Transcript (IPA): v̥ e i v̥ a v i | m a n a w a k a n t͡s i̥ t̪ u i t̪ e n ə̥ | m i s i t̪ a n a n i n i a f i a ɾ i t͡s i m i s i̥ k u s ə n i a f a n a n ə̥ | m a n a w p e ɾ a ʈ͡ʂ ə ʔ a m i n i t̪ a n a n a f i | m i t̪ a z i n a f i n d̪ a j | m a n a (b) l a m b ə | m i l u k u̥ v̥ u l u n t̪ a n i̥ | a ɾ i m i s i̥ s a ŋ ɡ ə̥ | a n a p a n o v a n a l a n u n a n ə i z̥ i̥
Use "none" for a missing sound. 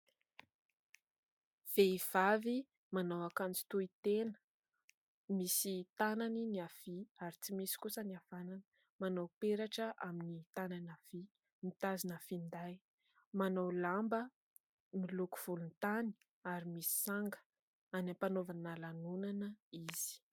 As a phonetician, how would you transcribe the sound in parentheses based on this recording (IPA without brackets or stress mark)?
w